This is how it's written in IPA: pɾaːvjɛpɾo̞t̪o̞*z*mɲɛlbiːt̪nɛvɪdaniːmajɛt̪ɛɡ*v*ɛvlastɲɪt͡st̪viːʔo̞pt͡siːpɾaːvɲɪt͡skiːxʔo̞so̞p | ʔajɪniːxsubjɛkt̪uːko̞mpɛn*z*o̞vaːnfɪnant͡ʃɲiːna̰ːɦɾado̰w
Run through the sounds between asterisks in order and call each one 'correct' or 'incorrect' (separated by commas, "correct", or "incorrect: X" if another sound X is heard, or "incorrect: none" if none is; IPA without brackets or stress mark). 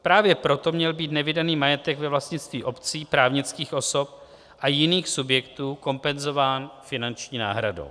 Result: incorrect: none, correct, correct